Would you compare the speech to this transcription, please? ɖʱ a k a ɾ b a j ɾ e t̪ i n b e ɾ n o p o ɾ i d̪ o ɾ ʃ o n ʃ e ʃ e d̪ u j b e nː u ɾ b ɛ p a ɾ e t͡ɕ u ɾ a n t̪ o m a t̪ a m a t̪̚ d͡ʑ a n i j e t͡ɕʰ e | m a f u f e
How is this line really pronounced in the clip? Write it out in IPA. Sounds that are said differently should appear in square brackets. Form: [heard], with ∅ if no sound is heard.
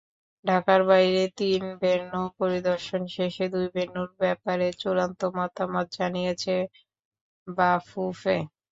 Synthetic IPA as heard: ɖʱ a k a ɾ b a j ɾ e t̪ i n b e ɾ n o p o ɾ i d̪ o ɾ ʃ o n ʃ e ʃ e d̪ u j b e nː u ɾ b ɛ p a ɾ e t͡ɕ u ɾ a n t̪ o m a t̪ a m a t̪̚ d͡ʑ a n i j e t͡ɕʰ e | [b] a f u f e